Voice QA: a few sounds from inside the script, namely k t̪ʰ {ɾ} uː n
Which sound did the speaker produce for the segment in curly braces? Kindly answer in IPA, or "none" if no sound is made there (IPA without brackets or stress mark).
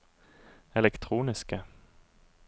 ɾ